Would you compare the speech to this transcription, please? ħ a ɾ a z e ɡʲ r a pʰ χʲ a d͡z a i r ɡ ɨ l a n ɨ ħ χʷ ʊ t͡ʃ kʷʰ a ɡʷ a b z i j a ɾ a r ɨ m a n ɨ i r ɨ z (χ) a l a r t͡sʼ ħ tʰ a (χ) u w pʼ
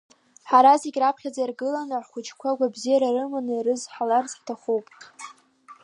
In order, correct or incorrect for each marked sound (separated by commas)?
incorrect, correct